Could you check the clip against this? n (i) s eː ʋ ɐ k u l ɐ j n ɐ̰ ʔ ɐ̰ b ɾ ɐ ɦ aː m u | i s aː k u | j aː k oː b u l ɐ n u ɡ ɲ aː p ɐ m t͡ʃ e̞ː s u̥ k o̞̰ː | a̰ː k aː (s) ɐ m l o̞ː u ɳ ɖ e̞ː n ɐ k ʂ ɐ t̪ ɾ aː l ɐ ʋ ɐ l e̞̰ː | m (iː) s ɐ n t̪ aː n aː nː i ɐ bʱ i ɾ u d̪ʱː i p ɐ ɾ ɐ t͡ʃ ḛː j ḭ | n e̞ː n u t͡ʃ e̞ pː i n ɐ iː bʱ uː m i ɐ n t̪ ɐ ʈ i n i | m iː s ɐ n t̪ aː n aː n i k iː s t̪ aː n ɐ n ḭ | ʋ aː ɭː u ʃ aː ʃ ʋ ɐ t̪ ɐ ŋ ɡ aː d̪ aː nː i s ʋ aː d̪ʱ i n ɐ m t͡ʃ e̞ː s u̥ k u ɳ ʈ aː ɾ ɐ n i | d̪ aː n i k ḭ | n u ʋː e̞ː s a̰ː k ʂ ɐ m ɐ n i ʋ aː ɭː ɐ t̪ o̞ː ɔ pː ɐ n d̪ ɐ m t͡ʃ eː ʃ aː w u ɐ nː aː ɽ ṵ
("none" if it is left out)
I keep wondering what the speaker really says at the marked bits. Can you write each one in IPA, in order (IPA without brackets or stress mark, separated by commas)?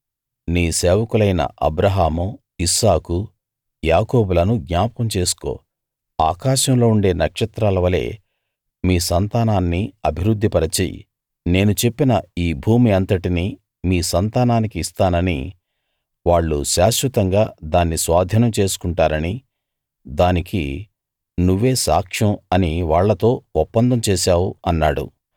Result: iː, ʃ, iː